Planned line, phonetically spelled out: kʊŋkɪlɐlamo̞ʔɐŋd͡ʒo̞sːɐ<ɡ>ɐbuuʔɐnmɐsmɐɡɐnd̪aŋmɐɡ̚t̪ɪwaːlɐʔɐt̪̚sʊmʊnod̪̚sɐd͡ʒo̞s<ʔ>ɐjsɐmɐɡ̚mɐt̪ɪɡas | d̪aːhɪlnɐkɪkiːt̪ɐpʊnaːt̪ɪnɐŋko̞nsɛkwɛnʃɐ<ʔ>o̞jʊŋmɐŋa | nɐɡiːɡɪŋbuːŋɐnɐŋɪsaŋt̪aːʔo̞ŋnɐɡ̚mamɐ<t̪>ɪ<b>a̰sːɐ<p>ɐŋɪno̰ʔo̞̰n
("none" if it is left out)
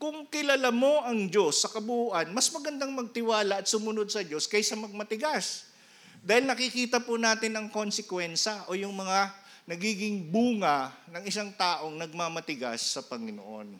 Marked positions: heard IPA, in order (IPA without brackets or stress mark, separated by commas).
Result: k, k, ʔ, t̪, ɡ, p